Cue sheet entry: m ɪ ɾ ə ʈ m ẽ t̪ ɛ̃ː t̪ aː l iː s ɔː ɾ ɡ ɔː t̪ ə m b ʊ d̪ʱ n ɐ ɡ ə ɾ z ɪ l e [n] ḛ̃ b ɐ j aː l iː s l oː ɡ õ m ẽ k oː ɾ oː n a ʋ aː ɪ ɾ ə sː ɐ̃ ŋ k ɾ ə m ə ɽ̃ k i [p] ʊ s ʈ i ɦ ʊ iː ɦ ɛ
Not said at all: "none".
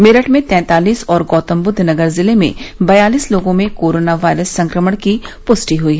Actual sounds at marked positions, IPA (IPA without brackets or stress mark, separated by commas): m, p